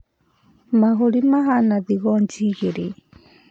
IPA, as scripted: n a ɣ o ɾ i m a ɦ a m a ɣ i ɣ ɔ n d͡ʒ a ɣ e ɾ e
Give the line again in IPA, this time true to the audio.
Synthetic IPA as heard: m a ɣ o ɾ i m a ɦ a n a ð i ɣ ɔ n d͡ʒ i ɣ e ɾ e